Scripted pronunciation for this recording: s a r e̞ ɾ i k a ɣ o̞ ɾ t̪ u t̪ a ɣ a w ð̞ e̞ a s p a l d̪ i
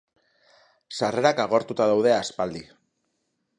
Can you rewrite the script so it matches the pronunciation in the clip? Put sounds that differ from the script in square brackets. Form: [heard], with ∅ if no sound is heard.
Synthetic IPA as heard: s a r e̞ ɾ [a] k a ɣ o̞ ɾ t̪ u t̪ a [ð] a w ð̞ e̞ a s p a l d̪ i

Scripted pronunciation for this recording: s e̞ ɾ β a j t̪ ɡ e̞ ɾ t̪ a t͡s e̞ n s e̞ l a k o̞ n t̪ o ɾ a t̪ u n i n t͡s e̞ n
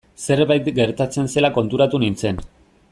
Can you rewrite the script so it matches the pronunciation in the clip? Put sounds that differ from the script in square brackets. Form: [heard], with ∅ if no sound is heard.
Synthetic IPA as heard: s e̞ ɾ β a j t̪ ɡ e̞ ɾ t̪ a t͡s e̞ n s e̞ l a k o̞ n t̪ [u] ɾ a t̪ u n i n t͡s e̞ n

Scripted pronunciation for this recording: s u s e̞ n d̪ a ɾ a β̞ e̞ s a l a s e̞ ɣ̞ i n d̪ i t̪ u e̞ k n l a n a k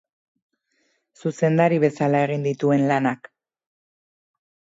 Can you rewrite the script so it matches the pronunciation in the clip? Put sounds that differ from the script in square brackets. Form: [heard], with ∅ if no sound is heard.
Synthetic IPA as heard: s u s e̞ n d̪ a ɾ [i] β̞ e̞ s a l a [∅] e̞ ɣ̞ i n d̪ i t̪ u e̞ [∅] n l a n a k

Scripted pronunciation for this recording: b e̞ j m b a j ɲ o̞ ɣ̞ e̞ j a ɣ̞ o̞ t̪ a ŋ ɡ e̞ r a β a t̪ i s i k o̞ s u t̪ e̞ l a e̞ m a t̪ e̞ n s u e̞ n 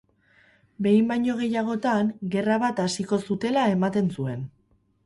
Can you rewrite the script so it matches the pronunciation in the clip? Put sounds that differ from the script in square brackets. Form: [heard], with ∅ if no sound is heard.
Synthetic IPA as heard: b e̞ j m b a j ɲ o̞ ɣ̞ e̞ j a ɣ̞ o̞ t̪ a ŋ ɡ e̞ r a β a t̪ [a] s i k o̞ s u t̪ e̞ l a e̞ m a t̪ e̞ n s u e̞ n

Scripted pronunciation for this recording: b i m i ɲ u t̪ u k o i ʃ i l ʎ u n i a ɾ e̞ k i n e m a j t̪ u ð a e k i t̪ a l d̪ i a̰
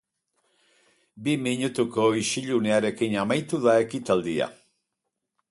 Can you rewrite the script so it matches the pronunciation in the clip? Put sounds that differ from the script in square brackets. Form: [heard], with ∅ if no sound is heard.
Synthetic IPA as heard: b i m i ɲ u t̪ u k o i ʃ i [∅] ʎ u n [e] a ɾ e̞ k i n [a] m a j t̪ u ð a e k i t̪ a l d̪ i a̰

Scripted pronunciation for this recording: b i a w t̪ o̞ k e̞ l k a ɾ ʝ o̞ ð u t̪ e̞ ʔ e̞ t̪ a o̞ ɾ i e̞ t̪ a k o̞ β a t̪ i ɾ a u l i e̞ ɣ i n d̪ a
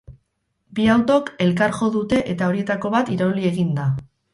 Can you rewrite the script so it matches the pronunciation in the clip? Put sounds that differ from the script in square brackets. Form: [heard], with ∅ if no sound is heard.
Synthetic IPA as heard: b i a w t̪ o̞ k e̞ l k a ɾ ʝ o̞ ð u t̪ e̞ ʔ e̞ t̪ a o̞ ɾ i e̞ t̪ a k o̞ β a t̪ i ɾ a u l i e̞ ɣ i n d̪ a

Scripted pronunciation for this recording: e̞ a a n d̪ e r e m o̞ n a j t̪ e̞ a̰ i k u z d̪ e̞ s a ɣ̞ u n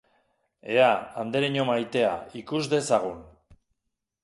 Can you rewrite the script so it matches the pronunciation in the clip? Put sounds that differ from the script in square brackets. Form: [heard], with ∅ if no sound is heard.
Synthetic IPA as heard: e̞ a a n d̪ e [ɾ] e [ɲ] o̞ [m] a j t̪ e̞ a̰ i k u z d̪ e̞ s a ɣ̞ u n

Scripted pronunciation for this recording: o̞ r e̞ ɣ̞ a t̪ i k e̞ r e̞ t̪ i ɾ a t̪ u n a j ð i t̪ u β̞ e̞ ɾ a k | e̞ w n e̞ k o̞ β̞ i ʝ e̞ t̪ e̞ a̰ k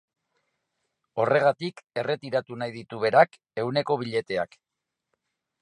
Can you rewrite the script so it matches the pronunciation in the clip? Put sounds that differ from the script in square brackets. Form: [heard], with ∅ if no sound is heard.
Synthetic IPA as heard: o̞ r e̞ ɣ̞ a t̪ i k e̞ r e̞ t̪ i ɾ a t̪ u n a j ð i t̪ u β̞ e̞ ɾ a k | e̞ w n e̞ k o̞ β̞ i [ʎ] e̞ t̪ e̞ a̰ k

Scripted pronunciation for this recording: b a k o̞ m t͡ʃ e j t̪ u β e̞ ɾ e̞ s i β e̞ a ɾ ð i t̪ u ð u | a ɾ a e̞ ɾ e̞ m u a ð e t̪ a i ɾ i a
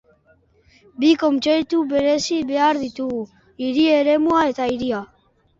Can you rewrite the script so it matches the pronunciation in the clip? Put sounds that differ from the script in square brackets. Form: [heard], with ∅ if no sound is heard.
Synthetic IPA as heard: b [i] k o̞ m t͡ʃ e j t̪ u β e̞ ɾ e̞ s i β e̞ a ɾ ð i t̪ u [ɣ] u | [i] ɾ [i] e̞ ɾ e̞ m u a [∅] e t̪ a i ɾ i a

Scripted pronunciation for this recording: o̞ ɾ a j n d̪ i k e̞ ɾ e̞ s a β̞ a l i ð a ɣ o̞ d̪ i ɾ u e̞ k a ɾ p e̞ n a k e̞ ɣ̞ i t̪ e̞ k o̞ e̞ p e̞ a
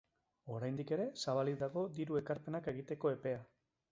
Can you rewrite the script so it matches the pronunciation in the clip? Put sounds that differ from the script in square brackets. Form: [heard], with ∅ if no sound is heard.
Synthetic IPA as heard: o̞ ɾ a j n d̪ i k e̞ ɾ e̞ s a β̞ a l i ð a ɣ o̞ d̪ i ɾ u e̞ k a ɾ p e̞ n a k e̞ ɣ̞ i t̪ e̞ k o̞ e̞ p e̞ a

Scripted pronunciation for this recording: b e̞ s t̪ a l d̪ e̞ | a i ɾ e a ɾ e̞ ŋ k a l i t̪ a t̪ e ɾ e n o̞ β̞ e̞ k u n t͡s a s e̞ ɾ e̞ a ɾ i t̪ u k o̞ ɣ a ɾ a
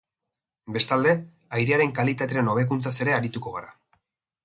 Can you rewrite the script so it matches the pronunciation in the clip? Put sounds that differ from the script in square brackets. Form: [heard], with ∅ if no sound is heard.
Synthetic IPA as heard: b e̞ s t̪ a l d̪ e̞ | a [j] ɾ e a ɾ e̞ ŋ k a l i t̪ a t̪ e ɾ e n o̞ β̞ e̞ k u n t͡s a s e̞ ɾ e̞ a ɾ i t̪ u k o̞ ɣ a ɾ a

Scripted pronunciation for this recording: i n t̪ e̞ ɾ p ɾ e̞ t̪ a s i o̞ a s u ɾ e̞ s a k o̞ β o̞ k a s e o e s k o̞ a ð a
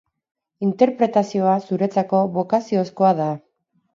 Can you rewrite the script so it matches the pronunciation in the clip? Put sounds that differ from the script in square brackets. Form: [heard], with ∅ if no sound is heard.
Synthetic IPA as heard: i n t̪ e̞ ɾ p ɾ e̞ t̪ a s i o̞ a s u ɾ e̞ [t͡s] a k o̞ β o̞ k a s [i] o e s k o̞ a ð a

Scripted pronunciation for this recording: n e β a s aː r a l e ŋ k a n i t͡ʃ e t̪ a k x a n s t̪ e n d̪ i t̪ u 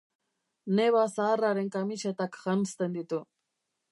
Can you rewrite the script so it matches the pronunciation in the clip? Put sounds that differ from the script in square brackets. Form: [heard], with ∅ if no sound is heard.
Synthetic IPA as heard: n e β a s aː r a [ɾ] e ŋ k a [m] i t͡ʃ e t̪ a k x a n s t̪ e n d̪ i t̪ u

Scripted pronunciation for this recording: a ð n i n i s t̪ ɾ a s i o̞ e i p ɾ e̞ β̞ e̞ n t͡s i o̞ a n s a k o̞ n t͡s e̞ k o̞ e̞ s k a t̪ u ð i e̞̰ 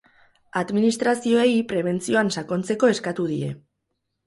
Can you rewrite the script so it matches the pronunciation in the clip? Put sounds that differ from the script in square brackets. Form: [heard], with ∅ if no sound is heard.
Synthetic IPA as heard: a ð [m] i n i s t̪ ɾ a s i o̞ e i p ɾ e̞ β̞ e̞ n t͡s i o̞ a n s a k o̞ n t͡s e̞ k o̞ e̞ s k a t̪ u ð i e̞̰

